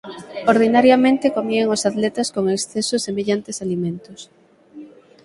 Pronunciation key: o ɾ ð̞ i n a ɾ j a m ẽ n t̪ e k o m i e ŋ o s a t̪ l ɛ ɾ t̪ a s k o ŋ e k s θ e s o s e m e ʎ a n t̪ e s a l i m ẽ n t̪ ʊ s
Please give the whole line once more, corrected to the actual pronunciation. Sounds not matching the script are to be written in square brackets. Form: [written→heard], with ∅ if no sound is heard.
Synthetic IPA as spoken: o ɾ ð̞ i n a ɾ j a m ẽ n t̪ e k o m i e ŋ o s a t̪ l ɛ [ɾ→∅] t̪ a s k o ŋ e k s θ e s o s e m e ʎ a n t̪ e s a l i m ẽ n t̪ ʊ s